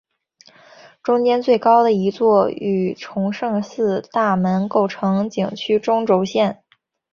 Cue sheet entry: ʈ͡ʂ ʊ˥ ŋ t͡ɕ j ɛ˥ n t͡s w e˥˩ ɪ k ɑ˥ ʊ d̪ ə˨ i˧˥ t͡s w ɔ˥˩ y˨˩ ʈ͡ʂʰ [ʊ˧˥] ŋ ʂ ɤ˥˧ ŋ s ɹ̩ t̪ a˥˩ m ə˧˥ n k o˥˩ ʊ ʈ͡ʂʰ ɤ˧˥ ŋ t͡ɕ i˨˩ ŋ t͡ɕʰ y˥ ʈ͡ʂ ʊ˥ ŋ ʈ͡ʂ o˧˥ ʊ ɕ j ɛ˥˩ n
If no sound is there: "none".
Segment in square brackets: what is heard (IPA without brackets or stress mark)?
ʊ˧˥